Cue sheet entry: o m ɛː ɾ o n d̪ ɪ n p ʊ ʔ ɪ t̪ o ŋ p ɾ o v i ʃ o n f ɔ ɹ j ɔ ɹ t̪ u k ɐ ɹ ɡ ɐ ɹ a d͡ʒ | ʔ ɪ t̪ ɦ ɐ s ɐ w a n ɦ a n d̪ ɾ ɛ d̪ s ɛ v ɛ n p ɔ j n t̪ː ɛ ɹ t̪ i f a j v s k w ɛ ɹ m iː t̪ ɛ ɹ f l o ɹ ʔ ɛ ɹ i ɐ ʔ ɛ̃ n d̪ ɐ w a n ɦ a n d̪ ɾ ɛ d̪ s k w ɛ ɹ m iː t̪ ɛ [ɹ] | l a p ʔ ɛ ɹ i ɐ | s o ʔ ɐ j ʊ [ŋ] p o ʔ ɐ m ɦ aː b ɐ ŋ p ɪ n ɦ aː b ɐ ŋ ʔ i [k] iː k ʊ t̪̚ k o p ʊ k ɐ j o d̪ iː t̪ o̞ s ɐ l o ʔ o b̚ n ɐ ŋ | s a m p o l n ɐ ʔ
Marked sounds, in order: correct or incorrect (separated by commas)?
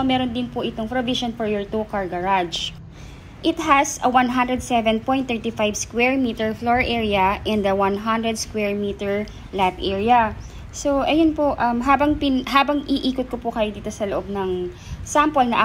correct, incorrect, incorrect